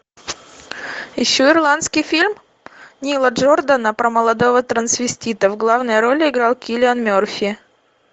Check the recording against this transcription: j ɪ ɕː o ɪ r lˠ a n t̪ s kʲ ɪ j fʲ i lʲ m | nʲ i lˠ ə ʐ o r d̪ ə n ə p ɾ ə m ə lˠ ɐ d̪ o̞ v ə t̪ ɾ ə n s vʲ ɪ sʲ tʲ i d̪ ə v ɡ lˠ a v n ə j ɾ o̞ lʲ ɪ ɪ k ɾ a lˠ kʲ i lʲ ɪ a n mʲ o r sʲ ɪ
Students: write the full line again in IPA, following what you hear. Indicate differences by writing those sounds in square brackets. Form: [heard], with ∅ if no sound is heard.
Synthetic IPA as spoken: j ɪ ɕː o ɪ r lˠ a n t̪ s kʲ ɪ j fʲ i lʲ m | nʲ i lˠ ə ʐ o r d̪ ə n ə p ɾ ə m ə lˠ ɐ d̪ o̞ v ə t̪ ɾ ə n s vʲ ɪ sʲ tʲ i [t̪] ə v ɡ lˠ a v n ə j ɾ o̞ lʲ ɪ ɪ [ɡ] ɾ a lˠ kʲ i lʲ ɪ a n mʲ o r [fʲ] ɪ